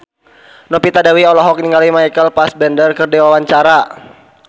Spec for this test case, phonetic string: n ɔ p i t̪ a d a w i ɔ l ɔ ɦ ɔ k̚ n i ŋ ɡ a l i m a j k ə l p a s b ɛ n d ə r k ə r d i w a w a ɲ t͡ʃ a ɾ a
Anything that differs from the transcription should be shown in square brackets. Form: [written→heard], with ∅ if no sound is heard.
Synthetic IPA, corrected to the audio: n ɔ p i t̪ a d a w i ɔ l ɔ ɦ ɔ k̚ n i ŋ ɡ a l i m a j k ə l p a s b ɛ n d ə r k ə r d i w a w a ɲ t͡ʃ a ɾ a